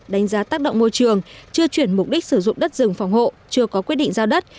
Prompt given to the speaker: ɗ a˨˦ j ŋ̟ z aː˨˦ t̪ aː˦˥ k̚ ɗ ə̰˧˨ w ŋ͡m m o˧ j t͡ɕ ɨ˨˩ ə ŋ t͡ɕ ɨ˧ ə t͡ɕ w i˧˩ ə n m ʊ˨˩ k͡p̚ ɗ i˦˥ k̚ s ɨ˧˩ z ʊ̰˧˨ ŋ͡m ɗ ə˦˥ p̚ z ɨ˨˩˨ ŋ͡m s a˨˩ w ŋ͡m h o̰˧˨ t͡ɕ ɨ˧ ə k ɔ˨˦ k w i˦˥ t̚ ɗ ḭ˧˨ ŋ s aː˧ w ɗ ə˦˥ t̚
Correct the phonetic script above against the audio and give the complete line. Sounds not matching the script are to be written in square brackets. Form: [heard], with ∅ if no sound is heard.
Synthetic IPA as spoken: ɗ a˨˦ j ŋ̟ z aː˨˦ t̪ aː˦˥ k̚ ɗ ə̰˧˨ w ŋ͡m m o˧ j t͡ɕ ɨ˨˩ ə ŋ t͡ɕ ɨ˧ ə t͡ɕ w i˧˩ ə n m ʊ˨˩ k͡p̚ ɗ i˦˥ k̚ s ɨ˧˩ z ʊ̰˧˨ ŋ͡m ɗ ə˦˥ [t̚] z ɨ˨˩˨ ŋ͡m [f] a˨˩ w ŋ͡m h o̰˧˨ t͡ɕ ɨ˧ ə k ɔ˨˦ k w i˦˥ t̚ ɗ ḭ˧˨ ŋ [z] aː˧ w ɗ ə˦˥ t̚